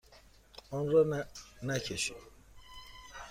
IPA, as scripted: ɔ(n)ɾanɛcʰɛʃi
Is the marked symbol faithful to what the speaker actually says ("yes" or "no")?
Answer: yes